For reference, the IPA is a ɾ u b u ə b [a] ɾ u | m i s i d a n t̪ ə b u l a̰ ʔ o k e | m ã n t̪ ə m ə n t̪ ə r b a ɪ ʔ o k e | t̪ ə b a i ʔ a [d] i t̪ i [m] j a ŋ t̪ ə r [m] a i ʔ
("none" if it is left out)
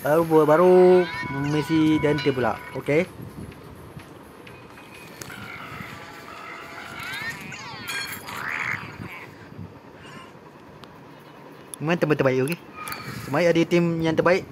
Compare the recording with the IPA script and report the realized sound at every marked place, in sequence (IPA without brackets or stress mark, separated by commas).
a, d, m, b